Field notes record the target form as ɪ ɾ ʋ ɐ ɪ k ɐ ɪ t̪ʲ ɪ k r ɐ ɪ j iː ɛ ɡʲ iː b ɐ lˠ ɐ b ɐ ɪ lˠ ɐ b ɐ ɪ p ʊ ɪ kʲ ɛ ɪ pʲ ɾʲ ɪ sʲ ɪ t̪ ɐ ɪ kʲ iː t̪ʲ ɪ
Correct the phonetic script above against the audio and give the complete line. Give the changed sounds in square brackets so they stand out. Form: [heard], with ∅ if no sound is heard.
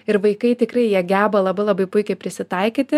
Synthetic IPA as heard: ɪ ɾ ʋ ɐ ɪ k ɐ ɪ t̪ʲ ɪ k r ɐ ɪ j [i] ɛ ɡʲ [æː] b ɐ lˠ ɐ b ɐ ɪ lˠ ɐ b ɐ ɪ p ʊ ɪ kʲ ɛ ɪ pʲ ɾʲ ɪ sʲ ɪ t̪ ɐ ɪ kʲ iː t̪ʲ ɪ